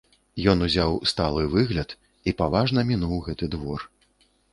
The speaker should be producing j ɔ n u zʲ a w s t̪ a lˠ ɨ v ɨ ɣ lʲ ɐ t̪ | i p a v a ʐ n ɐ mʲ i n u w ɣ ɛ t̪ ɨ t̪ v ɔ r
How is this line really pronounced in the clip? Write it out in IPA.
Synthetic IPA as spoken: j ɔ n u zʲ a w s t̪ a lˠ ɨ v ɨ ɣ lʲ ɐ t̪ | i p a v a ʐ n ɐ mʲ i n u w ɣ ɛ t̪ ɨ d̪ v ɔ r

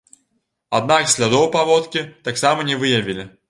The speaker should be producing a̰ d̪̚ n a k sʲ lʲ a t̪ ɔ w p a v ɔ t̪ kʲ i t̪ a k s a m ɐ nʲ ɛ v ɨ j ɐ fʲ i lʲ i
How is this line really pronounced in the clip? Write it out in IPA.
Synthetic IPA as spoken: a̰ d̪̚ n a k sʲ lʲ a d̪ ɔ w p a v ɔ t̪ kʲ i t̪ a k s a m ɐ nʲ ɛ v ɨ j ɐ vʲ i lʲ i

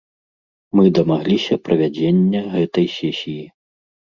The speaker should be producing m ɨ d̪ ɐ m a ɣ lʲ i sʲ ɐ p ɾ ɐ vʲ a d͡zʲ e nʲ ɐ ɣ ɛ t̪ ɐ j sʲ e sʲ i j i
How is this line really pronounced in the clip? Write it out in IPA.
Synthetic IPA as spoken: m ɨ d̪ ɐ m a ɣ lʲ i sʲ ɐ p ɾ ɐ vʲ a d͡zʲ e nʲː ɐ ɣ ɛ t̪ ɐ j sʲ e sʲ i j i

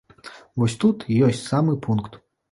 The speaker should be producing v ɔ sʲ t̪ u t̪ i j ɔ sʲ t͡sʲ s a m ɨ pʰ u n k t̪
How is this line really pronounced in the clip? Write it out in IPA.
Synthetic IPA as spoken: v ɔ sʲ t̪ u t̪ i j ɔ sʲ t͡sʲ s a m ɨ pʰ u n k t̪

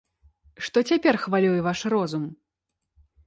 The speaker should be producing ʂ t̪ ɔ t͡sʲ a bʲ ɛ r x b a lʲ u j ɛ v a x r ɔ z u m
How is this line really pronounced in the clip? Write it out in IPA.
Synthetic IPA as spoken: ʂ t̪ ɔ t͡sʲ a pʲ ɛ r x v a lʲ u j ɛ v a ʂ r ɔ z u m

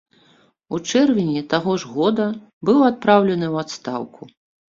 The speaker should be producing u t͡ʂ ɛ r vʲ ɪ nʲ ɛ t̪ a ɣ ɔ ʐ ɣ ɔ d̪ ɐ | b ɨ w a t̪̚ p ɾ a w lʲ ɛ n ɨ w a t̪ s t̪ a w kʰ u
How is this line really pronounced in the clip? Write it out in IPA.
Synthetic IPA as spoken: u t͡ʂ ɛ r vʲ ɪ nʲ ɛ t̪ a ɣ ɔ ʐ ɣ ɔ d̪ ɐ | b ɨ w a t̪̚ p ɾ a w lʲ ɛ n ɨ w a t̪ s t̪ a w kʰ u

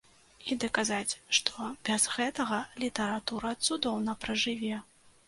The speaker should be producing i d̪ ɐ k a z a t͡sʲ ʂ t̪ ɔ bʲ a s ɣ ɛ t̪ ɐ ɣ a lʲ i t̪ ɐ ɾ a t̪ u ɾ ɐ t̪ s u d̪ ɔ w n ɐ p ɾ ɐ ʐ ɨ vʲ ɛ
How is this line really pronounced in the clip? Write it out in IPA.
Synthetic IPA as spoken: i d̪ ɐ k a z a t͡sʲ ʂ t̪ ɔ bʲ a z ɣ ɛ t̪ ɐ ɣ ɐ lʲ i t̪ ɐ ɾ a t̪ u ɾ ɐ t̪ s u d̪ ɔ w n ɐ p ɾ ɐ ʐ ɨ vʲ ɛ

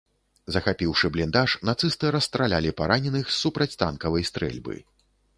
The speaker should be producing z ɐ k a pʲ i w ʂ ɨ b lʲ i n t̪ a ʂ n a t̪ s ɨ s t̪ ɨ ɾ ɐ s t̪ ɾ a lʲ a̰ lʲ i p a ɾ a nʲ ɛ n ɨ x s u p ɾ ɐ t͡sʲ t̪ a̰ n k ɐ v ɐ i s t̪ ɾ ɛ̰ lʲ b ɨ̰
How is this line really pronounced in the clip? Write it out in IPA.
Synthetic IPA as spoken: z ɐ x a pʲ i w ʂ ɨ b lʲ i n d̪ a ʂ n a t̪ s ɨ s t̪ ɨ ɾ ɐ s t̪ ɾ a lʲ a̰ lʲ i p a ɾ a nʲ ɛ n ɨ x s u p ɾ ɐ t͡sʲ t̪ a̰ n k ɐ v ɐ j s t̪ ɾ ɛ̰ lʲ b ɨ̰

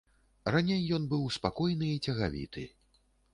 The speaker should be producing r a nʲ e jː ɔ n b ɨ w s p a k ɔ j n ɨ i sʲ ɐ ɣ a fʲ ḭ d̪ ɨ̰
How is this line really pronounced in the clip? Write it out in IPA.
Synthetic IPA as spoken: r a nʲ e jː ɔ n b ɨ w s p a k ɔ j n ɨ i t͡sʲ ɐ ɣ a vʲ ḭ t̪ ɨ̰

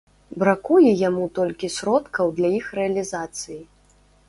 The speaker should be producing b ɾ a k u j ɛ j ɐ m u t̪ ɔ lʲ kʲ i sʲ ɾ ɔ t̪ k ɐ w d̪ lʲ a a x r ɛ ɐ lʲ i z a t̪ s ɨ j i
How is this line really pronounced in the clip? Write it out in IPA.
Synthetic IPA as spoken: b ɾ a k u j ɛ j a m u t̪ ɔ lʲ kʲ i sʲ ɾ ɔ t̪ k ɐ w d̪ lʲ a i x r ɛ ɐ lʲ i z a t̪ s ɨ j i

